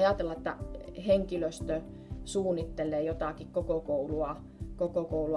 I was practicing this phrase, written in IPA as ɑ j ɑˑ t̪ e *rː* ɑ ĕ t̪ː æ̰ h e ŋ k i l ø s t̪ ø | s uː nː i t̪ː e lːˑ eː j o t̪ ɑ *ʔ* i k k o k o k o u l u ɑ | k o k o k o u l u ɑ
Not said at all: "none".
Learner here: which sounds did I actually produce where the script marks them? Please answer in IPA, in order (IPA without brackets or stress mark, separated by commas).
lː, k